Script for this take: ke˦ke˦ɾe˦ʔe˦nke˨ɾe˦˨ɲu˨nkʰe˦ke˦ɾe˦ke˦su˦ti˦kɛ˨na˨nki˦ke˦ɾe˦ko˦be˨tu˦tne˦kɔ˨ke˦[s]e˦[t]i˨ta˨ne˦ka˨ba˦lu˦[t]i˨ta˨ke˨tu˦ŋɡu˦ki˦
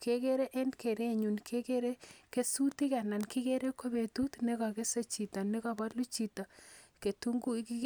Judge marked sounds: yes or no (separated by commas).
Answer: yes, no, no